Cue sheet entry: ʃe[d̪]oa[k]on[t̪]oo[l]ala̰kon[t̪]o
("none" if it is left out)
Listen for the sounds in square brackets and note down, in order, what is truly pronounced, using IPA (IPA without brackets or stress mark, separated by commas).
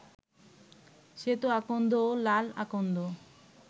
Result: t̪, k, d̪, l, d̪